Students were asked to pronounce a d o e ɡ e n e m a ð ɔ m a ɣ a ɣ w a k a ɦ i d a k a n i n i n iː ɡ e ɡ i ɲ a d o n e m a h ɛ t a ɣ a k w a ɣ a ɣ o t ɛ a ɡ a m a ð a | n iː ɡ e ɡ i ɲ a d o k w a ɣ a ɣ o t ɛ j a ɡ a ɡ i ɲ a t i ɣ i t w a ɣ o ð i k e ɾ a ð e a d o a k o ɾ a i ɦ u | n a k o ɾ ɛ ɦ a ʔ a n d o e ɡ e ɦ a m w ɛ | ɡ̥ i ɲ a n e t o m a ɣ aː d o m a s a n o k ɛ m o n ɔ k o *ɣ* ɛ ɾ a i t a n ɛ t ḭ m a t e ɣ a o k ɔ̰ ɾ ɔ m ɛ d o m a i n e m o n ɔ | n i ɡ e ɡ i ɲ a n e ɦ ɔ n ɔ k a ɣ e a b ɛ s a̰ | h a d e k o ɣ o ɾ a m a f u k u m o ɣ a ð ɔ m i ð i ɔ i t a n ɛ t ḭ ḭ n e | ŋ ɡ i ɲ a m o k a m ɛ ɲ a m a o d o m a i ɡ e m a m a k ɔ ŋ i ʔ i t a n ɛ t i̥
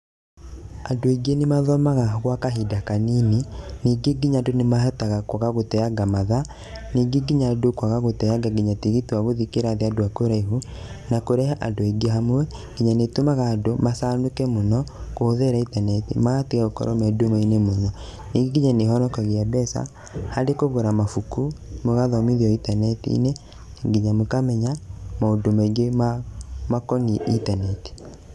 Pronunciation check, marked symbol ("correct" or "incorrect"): incorrect